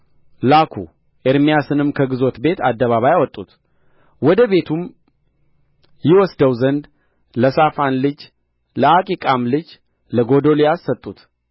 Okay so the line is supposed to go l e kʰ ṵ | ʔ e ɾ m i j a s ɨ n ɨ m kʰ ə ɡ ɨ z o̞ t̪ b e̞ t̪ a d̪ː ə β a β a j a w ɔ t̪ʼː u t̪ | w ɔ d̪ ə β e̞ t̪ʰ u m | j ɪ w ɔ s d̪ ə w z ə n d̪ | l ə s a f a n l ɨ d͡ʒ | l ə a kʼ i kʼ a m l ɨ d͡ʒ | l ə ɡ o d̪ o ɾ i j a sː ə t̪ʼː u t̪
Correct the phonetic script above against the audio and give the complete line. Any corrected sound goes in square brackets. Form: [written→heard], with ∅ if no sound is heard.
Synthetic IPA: l [e→a] kʰ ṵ | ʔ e ɾ m i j a s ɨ n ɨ m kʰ ə ɡ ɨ z o̞ t̪ b e̞ t̪ a d̪ː ə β a β a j a w ɔ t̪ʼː u t̪ | w ɔ d̪ ə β e̞ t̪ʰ u m | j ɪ w ɔ s d̪ ə w z ə n d̪ | l ə s a f a n l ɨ d͡ʒ | l ə a kʼ i kʼ a m l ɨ d͡ʒ | l ə ɡ o d̪ o [ɾ→l] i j a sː ə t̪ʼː u t̪